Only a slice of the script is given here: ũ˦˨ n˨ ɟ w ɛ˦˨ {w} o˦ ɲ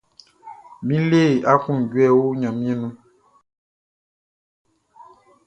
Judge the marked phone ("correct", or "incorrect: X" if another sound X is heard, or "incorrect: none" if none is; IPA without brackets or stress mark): correct